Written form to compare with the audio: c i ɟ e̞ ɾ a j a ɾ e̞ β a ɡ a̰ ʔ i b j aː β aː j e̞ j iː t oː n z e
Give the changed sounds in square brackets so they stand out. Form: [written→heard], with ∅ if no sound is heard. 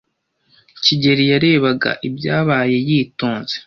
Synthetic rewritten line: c i ɟ e̞ ɾ [a→i] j a ɾ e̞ β a ɡ a̰ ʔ i b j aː β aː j e̞ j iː t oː n z e